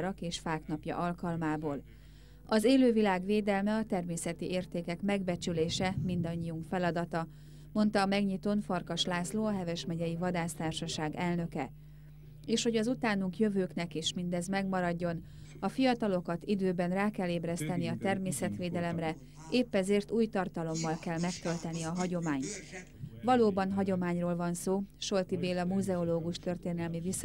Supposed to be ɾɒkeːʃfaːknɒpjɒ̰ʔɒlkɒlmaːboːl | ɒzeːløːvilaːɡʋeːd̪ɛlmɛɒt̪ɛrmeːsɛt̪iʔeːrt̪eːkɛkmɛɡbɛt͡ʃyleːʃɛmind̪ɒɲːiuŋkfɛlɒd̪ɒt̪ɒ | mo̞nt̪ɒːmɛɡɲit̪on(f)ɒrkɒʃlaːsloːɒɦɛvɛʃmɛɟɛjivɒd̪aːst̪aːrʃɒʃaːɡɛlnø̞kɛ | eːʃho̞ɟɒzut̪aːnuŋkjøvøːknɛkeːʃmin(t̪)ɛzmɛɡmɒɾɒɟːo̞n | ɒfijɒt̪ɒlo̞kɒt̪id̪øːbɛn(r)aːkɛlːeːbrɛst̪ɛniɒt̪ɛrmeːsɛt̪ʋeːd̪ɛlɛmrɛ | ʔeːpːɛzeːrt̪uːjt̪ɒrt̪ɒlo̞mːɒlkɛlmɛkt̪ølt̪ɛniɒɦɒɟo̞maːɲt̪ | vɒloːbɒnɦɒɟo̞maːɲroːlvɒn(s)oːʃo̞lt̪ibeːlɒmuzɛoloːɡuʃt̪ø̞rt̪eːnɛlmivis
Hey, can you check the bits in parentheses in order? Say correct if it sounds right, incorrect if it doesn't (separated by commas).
correct, incorrect, correct, correct